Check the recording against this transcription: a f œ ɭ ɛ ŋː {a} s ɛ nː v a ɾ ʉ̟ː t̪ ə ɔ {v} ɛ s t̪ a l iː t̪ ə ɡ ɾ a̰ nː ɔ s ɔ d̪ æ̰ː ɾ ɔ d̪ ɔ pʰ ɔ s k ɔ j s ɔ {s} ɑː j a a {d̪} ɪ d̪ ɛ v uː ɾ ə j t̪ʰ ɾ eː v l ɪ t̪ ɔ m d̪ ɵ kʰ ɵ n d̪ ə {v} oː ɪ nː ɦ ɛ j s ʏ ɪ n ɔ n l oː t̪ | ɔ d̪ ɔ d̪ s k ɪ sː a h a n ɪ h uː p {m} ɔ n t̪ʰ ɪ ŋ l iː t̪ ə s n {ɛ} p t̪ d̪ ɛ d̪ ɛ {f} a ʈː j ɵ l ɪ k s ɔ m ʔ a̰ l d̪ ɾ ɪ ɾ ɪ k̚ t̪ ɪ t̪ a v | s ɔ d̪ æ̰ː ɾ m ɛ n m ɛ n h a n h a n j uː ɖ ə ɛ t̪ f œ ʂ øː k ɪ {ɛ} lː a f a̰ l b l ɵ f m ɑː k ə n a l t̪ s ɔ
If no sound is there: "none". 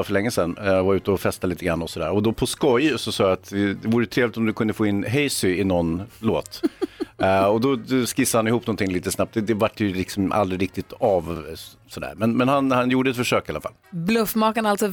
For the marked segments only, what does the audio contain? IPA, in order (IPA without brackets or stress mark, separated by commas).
ə, f, s, t̪, f, n, a, v, a